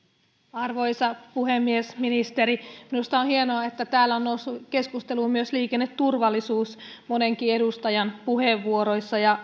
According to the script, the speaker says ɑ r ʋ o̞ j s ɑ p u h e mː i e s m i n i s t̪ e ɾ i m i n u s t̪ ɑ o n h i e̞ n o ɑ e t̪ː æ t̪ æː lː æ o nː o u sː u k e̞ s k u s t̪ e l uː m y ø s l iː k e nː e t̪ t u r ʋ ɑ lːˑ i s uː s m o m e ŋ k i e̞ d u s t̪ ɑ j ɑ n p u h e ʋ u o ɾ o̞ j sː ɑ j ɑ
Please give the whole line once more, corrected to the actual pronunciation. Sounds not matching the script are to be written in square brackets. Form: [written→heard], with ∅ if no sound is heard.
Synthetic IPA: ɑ r ʋ o̞ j s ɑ p u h e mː i e s m i n i s t̪ e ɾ i m i n u s t̪ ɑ o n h i e̞ n o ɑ e t̪ː æ t̪ æː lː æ o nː o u sː u k e̞ s k u s t̪ e l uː m y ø s l iː k e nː e t̪ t u r ʋ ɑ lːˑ i s uː s m o [m→n] e ŋ k i e̞ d u s t̪ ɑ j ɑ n p u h e [ʋ→ʋː] u o ɾ o̞ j sː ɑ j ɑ